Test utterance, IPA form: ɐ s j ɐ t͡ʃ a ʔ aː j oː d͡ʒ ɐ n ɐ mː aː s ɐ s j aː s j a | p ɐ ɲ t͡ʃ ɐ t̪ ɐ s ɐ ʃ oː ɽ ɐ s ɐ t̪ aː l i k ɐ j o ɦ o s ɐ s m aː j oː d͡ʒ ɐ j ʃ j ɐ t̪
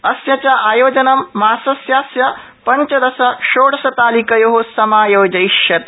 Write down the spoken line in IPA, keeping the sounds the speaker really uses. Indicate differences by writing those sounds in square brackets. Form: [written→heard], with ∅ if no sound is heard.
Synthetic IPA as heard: ɐ s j ɐ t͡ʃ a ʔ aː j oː d͡ʒ ɐ n ɐ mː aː s ɐ s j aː s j [a→ɐ] | p ɐ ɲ t͡ʃ ɐ [t̪→d̪] ɐ s ɐ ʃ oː ɽ ɐ s ɐ t̪ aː l i k ɐ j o ɦ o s ɐ [s→∅] m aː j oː d͡ʒ ɐ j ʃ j ɐ t̪